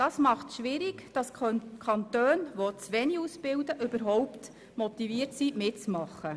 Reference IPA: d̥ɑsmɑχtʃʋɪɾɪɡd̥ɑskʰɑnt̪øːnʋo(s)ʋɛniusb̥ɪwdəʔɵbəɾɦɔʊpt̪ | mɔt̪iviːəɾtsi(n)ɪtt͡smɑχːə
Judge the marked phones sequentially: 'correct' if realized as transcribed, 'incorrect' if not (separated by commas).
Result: incorrect, incorrect